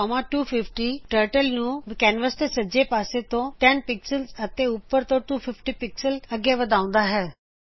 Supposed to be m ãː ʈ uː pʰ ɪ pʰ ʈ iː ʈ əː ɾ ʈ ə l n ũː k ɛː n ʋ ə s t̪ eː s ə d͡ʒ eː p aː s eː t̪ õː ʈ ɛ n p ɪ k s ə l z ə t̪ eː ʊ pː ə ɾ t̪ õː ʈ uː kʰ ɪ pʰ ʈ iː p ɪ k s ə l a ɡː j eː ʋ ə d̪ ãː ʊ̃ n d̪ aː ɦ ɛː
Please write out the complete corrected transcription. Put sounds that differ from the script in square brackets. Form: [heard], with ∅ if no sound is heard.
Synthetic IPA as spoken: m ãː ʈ uː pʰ ɪ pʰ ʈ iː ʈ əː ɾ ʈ ə l n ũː k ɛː n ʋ ə s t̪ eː s ə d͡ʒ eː p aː s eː t̪ õː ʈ ɛ n p ɪ k s ə l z ə t̪ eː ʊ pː ə ɾ t̪ õː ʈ uː [pʰ] ɪ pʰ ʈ iː p ɪ k s ə l [ə] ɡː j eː ʋ ə d̪ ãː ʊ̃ n d̪ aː ɦ ɛː